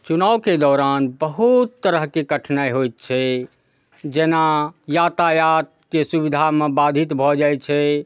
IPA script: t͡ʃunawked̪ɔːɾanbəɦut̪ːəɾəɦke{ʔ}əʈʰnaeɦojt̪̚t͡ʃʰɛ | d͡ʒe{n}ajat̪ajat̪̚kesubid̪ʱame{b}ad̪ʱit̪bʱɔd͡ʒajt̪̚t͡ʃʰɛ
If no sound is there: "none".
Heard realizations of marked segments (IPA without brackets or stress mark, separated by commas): k, n, b